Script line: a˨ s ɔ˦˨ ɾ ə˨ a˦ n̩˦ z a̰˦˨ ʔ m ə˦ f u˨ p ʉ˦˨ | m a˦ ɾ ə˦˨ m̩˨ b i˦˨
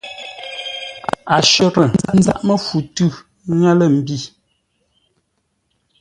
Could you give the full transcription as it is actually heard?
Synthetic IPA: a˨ ʃ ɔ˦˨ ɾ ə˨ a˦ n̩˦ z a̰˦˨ ʔ m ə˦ f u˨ t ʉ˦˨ | ŋ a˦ l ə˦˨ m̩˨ b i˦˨